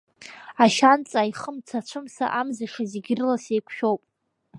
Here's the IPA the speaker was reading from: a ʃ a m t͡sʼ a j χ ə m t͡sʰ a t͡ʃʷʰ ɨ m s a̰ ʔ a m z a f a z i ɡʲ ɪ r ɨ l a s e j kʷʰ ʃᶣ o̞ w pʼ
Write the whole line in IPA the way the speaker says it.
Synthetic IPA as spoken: a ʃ a n t͡sʼ a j χ ə m t͡sʰ a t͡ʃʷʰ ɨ m s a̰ ʔ a m z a ʂ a z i ɡʲ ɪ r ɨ l a s e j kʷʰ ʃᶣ o̞ w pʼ